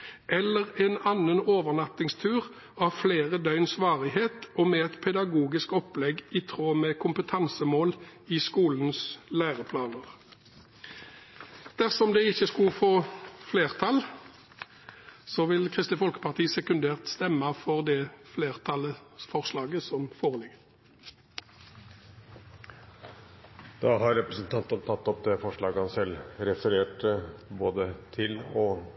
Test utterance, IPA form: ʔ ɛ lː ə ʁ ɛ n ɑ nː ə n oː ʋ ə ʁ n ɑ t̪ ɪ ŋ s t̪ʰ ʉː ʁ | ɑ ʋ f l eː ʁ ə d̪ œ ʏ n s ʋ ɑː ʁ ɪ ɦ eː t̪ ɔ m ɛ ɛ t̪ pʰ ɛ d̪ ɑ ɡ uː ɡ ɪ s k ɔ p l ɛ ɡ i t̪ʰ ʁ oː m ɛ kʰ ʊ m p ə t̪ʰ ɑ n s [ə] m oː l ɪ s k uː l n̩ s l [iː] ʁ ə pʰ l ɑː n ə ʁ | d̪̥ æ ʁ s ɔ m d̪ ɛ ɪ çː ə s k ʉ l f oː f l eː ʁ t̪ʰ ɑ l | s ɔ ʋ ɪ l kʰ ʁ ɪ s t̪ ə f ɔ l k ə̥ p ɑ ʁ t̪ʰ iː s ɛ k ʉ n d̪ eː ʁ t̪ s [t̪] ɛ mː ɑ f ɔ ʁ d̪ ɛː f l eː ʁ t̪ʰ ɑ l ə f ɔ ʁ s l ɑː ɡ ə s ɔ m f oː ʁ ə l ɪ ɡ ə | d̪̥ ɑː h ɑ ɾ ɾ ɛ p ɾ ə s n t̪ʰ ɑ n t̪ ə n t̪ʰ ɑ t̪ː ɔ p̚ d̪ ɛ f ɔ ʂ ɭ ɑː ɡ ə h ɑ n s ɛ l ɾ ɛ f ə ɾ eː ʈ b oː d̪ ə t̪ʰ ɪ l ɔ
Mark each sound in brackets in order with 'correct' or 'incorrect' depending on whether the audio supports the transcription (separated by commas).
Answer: correct, incorrect, correct